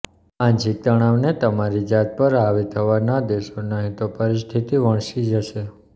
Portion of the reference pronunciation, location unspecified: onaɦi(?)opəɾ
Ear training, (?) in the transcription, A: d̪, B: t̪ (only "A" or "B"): B